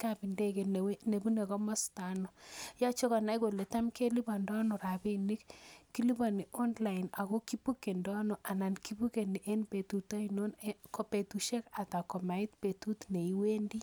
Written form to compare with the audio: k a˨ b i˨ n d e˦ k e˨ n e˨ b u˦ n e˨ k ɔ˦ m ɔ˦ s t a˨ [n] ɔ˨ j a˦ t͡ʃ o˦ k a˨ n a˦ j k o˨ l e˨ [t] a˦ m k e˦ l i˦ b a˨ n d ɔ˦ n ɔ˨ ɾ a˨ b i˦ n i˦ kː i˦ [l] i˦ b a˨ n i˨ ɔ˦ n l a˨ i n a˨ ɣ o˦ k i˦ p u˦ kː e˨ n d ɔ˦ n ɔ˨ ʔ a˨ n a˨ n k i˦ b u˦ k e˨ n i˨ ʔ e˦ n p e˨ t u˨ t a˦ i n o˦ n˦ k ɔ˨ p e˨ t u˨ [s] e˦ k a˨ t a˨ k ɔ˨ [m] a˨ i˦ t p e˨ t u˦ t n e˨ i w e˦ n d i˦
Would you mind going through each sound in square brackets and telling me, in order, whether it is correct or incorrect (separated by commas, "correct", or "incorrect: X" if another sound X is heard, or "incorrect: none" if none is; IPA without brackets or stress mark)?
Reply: correct, correct, correct, incorrect: ʃ, correct